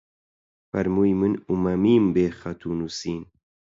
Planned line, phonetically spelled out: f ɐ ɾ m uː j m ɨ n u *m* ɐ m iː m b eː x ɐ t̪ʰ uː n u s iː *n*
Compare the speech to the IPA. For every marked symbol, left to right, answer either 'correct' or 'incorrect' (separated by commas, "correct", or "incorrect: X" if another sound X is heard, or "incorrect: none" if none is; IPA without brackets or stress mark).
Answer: correct, correct